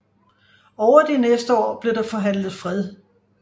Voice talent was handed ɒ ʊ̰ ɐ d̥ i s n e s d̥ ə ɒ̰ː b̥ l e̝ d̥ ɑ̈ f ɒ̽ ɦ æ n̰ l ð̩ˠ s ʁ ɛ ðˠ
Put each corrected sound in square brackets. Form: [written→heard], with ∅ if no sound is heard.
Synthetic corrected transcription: ɒ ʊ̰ ɐ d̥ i [s→∅] n e s d̥ ə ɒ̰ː b̥ l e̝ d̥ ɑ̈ f ɒ̽ ɦ æ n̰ l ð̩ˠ [s→f] ʁ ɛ ðˠ